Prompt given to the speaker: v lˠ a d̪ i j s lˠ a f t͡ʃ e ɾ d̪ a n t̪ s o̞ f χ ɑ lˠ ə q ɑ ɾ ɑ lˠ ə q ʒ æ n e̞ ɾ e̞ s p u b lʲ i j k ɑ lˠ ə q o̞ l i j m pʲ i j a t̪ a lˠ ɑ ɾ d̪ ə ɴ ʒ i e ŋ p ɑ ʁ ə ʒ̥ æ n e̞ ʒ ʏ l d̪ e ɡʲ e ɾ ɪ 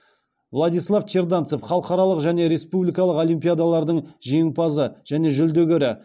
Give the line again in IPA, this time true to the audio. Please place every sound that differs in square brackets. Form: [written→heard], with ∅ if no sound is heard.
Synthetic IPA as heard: v lˠ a d̪ i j s lˠ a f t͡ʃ e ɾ d̪ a n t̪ s o̞ f χ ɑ lˠ ə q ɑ ɾ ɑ lˠ ə q ʒ æ n e̞ ɾ e̞ s p u b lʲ i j k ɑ lˠ ə q o̞ l i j m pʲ i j a [t̪→d̪] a lˠ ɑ ɾ d̪ ə ɴ ʒ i e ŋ p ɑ [ʁ→z] ə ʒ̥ æ n e̞ ʒ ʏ l d̪ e ɡʲ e ɾ ɪ